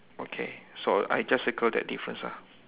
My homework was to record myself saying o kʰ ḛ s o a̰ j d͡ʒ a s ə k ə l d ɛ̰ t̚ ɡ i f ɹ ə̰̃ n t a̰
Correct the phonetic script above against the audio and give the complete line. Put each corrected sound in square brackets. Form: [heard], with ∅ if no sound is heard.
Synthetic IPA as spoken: o kʰ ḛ s o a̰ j d͡ʒ a s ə k ə l d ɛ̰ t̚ [d] i f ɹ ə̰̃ n [s] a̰